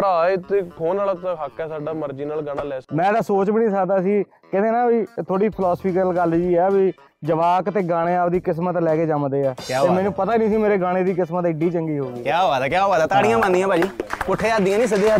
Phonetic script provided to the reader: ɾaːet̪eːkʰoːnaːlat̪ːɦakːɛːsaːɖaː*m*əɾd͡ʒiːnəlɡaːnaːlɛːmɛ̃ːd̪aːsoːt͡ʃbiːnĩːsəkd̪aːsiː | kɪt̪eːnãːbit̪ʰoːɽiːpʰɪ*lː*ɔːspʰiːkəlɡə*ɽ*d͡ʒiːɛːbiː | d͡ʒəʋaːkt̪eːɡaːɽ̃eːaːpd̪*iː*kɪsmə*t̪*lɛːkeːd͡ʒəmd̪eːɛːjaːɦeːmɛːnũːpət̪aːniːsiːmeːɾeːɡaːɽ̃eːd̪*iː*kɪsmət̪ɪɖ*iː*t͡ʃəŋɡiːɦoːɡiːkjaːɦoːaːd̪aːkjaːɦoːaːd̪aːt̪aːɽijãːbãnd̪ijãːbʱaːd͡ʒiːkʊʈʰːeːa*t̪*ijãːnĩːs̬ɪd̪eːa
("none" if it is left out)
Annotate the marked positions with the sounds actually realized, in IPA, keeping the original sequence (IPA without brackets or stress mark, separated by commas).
m, l, l, iː, t̪, iː, iː, d̪